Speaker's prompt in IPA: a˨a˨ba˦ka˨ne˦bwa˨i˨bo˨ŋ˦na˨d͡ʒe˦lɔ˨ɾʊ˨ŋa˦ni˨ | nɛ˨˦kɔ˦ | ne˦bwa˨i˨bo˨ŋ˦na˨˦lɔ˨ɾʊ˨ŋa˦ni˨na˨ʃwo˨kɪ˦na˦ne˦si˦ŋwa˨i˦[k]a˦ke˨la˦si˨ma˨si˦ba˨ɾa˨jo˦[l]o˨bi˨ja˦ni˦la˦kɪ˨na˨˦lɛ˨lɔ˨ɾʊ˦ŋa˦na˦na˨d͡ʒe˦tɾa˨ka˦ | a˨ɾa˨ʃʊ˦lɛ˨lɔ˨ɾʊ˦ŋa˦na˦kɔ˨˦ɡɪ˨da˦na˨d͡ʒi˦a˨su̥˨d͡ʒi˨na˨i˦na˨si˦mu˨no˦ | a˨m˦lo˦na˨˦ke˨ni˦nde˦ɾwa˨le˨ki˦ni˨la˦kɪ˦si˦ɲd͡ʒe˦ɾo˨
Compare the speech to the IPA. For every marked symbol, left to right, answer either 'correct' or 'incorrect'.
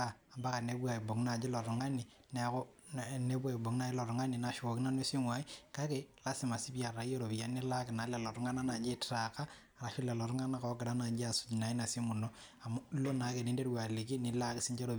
correct, incorrect

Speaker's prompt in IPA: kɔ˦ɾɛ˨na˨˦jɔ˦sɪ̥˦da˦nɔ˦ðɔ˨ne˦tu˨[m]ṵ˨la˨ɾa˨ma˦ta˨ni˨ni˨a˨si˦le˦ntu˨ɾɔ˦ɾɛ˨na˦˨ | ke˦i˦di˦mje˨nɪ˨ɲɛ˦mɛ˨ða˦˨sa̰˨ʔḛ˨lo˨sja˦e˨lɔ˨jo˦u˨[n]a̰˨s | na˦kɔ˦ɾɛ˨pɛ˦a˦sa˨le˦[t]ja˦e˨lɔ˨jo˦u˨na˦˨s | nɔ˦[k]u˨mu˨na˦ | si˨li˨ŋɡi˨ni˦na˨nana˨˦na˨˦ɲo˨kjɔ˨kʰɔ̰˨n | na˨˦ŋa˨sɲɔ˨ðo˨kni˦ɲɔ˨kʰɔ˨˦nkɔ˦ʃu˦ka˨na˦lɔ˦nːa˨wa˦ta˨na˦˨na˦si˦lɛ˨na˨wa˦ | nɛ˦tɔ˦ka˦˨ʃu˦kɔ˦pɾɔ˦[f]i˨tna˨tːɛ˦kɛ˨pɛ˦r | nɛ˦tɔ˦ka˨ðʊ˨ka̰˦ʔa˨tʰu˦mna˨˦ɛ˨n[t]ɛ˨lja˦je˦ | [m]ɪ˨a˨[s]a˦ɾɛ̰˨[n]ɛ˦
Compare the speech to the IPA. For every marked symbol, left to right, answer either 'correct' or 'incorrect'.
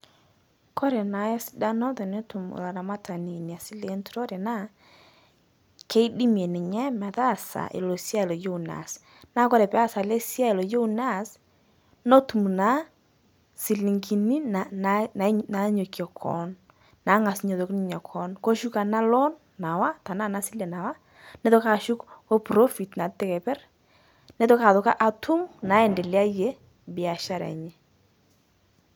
correct, correct, incorrect, incorrect, correct, incorrect, incorrect, incorrect, incorrect

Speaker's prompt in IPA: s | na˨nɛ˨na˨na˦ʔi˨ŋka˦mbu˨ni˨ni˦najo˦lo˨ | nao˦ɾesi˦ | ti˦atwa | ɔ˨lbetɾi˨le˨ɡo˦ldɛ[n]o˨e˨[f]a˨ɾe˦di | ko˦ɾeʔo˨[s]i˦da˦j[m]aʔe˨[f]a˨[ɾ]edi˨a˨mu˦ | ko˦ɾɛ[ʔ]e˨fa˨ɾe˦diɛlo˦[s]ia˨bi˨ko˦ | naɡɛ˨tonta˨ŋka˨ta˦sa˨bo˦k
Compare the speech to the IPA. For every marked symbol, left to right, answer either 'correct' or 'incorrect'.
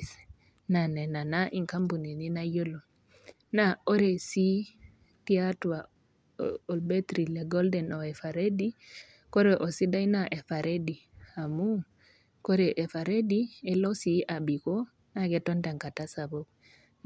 correct, correct, correct, incorrect, correct, correct, correct, correct

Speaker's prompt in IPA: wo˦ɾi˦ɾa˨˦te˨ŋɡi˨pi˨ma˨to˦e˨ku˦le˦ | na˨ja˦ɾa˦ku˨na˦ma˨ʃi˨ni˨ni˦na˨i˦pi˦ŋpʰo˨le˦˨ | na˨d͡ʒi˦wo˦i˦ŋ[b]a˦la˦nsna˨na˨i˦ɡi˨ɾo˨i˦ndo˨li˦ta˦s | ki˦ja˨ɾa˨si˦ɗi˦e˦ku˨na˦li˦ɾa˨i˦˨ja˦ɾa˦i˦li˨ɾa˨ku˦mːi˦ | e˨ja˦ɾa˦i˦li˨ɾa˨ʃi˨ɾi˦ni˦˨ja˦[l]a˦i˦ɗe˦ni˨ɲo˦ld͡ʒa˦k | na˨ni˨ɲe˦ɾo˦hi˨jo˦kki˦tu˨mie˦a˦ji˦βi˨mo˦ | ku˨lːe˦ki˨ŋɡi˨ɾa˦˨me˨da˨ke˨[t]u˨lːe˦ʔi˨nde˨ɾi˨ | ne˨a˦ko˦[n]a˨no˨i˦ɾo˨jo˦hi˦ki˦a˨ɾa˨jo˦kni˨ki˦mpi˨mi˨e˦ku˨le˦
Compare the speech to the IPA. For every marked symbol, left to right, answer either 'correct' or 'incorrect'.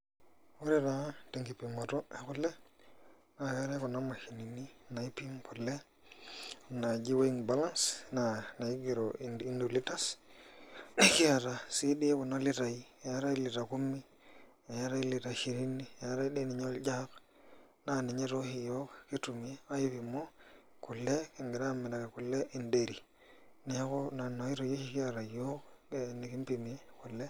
correct, incorrect, incorrect, correct

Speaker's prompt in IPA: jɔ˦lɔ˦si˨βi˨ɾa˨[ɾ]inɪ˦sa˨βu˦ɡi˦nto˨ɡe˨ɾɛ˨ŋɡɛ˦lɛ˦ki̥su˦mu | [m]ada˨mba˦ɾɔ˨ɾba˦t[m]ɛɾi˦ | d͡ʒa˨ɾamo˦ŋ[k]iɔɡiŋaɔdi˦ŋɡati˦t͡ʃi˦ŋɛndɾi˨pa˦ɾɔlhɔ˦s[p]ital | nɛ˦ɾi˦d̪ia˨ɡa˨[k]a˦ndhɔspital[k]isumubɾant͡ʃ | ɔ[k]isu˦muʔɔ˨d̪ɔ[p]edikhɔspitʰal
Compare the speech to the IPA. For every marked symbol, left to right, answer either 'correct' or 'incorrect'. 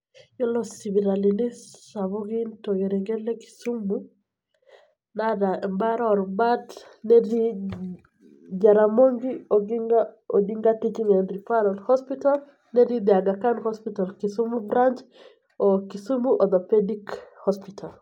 incorrect, incorrect, incorrect, incorrect, correct, correct, correct, correct, correct

